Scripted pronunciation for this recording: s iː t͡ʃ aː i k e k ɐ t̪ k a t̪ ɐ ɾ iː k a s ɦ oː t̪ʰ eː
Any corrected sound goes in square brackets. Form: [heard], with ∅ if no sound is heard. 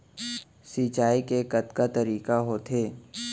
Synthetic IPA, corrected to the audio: s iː t͡ʃ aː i k e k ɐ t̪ k a t̪ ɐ ɾ iː k a [∅] ɦ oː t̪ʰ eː